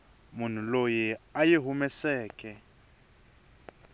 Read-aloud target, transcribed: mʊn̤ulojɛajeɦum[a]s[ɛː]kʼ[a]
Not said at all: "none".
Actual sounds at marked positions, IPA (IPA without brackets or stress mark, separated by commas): ɛ, ɛː, ɛ